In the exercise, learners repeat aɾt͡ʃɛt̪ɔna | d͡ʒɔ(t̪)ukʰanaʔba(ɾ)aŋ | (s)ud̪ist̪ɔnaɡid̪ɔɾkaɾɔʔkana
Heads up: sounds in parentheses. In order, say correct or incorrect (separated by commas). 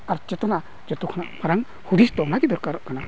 correct, correct, incorrect